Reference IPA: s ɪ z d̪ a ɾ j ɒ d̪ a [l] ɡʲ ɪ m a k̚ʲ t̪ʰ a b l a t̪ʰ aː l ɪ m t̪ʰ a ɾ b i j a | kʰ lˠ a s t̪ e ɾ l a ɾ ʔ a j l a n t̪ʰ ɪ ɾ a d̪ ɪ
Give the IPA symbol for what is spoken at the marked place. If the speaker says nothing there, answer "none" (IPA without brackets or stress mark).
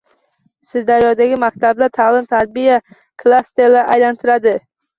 none